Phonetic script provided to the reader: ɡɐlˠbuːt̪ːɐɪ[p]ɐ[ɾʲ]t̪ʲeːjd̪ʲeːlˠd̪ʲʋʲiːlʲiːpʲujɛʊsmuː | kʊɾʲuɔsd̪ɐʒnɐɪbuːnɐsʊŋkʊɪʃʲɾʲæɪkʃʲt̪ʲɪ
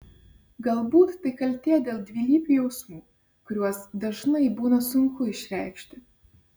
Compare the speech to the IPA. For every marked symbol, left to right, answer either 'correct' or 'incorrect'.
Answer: incorrect, incorrect

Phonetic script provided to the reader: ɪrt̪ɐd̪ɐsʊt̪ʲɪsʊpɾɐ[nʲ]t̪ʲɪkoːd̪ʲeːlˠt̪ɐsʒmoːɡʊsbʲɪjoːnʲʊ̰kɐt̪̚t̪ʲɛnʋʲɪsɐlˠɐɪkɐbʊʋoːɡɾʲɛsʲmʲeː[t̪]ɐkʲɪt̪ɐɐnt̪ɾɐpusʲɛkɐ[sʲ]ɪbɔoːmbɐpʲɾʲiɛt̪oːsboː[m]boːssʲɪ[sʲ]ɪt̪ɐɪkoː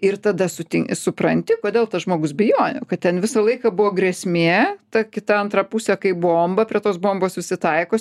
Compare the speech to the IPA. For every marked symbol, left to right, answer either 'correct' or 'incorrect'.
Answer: correct, correct, incorrect, correct, correct

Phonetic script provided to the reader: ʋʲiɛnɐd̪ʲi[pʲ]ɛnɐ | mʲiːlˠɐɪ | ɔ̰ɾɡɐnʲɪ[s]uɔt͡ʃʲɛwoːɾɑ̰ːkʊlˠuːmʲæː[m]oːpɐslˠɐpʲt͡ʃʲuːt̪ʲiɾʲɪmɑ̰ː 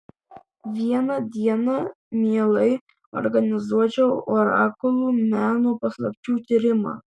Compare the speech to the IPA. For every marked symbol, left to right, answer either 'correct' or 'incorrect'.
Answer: incorrect, incorrect, incorrect

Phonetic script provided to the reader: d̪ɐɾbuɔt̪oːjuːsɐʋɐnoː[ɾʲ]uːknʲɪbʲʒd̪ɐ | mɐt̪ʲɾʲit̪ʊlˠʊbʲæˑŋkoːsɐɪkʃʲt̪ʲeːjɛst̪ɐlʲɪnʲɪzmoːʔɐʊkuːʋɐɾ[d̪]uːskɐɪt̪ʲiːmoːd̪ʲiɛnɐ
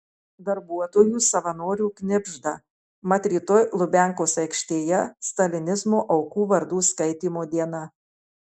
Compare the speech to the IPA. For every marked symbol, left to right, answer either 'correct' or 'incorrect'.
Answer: correct, correct

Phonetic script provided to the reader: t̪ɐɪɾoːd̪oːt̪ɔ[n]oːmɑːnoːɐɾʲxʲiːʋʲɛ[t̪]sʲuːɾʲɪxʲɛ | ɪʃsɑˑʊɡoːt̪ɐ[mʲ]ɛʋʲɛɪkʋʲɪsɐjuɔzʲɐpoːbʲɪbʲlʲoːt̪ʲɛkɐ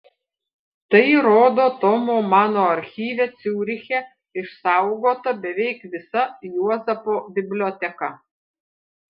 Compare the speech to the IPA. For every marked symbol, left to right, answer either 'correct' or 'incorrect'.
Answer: incorrect, correct, incorrect

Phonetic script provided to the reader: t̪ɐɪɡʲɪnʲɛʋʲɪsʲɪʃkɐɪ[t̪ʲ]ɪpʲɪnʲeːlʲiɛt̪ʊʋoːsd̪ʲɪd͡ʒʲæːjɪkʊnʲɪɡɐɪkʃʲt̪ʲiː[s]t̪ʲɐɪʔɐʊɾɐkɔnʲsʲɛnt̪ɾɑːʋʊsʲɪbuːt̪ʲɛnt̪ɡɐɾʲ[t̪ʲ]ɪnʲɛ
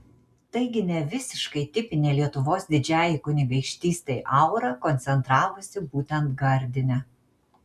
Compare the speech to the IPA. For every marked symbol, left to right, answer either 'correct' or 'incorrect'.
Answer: correct, correct, incorrect

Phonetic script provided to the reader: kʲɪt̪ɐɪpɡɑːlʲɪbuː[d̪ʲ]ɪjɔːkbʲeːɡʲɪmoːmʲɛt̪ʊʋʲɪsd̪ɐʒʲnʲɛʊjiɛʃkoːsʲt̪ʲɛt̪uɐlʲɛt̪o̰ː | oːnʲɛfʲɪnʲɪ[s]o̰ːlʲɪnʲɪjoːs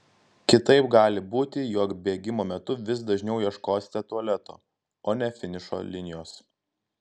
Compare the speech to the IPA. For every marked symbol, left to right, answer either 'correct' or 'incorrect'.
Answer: incorrect, incorrect

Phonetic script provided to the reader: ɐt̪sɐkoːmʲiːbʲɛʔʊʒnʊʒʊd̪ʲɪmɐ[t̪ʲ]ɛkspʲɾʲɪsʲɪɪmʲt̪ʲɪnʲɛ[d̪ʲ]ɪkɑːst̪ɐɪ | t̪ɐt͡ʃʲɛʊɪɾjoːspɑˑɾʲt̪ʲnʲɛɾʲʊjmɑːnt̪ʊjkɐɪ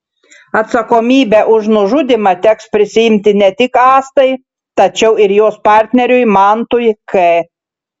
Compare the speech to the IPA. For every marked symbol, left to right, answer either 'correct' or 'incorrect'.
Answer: correct, incorrect

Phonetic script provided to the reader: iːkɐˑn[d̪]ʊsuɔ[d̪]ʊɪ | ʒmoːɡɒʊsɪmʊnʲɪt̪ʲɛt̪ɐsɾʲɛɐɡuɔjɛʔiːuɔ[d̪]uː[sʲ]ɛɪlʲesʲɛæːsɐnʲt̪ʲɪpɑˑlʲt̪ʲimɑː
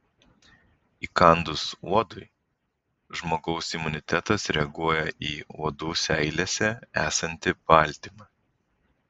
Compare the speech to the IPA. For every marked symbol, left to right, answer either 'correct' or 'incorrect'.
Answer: correct, correct, correct, correct

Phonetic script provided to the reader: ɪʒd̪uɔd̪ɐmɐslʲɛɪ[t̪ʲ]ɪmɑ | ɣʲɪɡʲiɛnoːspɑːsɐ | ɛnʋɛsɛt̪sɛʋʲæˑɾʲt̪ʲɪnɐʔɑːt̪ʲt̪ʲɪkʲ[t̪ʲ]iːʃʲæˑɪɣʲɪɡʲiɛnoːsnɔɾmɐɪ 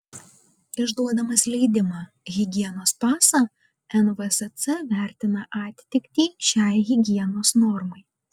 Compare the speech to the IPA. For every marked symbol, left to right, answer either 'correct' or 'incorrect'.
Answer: incorrect, correct

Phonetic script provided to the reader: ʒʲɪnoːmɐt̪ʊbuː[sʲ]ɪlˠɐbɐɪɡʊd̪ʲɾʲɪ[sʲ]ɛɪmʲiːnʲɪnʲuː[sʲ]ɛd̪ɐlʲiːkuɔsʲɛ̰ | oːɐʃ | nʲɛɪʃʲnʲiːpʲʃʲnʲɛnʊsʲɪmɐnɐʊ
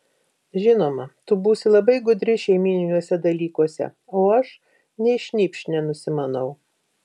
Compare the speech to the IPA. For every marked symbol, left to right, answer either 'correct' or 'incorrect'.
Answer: correct, incorrect, correct

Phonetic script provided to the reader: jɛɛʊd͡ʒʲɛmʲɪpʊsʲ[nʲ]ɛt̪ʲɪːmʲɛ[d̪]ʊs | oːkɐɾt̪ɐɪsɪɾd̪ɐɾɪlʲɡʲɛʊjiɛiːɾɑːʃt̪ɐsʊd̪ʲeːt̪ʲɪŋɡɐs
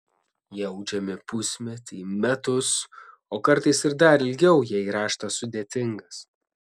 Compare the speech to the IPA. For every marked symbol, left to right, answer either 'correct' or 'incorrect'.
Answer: incorrect, incorrect

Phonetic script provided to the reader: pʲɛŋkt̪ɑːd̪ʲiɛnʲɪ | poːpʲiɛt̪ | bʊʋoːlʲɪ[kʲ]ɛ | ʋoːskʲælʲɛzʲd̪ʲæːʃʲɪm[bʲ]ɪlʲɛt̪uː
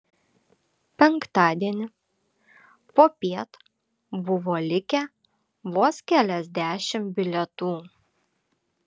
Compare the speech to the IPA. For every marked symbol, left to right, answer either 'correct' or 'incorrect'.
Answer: correct, correct

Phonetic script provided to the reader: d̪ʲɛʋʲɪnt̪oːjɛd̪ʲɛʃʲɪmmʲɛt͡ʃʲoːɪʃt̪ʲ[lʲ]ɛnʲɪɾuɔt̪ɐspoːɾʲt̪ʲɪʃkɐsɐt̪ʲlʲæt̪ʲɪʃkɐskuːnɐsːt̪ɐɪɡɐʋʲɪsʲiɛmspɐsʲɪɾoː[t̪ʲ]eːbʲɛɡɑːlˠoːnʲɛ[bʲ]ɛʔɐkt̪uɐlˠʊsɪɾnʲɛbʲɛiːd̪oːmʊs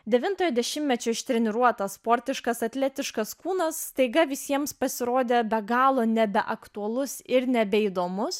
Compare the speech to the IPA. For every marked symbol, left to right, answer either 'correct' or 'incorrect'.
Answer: incorrect, incorrect, correct

